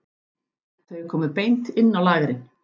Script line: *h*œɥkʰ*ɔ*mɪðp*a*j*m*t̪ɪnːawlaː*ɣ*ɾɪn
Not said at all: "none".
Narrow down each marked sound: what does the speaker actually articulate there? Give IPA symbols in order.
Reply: θ, ɔː, e, n, ɣ

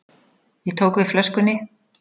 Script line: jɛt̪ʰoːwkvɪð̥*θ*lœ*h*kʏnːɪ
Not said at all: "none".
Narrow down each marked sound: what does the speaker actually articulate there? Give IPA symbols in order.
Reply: f, s

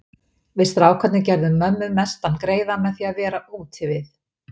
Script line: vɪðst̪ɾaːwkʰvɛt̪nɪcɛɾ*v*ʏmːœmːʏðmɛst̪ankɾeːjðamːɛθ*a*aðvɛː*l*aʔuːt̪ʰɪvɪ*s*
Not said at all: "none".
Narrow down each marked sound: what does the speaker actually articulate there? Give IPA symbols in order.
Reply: ð, i, ɾ, θ

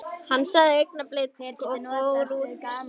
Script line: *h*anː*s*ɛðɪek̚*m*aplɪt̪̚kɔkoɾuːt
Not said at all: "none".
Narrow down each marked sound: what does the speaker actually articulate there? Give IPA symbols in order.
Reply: h, s, n

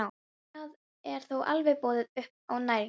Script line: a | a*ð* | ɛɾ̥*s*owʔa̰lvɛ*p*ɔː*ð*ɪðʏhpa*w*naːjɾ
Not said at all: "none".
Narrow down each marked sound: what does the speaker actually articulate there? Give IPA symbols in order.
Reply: ð, θ, p, ð, w

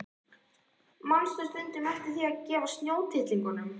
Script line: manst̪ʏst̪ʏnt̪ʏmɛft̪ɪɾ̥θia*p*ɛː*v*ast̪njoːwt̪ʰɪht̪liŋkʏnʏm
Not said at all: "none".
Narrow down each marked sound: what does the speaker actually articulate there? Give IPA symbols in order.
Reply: c, v

